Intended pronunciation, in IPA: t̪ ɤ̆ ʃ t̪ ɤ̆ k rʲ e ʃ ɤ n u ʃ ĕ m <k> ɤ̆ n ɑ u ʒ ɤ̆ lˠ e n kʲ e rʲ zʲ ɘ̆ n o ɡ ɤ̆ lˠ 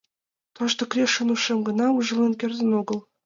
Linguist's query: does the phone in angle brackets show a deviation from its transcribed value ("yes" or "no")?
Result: yes